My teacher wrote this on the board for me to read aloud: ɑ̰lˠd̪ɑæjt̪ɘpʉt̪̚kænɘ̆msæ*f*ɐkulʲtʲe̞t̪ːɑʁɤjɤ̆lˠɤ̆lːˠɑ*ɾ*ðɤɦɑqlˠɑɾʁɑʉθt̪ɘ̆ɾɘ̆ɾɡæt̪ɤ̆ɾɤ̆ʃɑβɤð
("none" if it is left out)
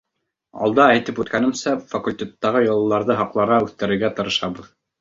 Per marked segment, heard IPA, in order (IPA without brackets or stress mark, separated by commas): f, ɾ